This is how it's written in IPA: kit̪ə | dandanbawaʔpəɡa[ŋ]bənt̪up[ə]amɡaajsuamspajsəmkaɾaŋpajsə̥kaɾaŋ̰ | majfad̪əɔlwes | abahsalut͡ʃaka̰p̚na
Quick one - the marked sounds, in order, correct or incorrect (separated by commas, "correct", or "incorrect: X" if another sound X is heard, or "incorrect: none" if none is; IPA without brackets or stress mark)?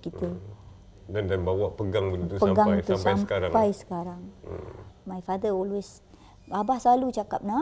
correct, correct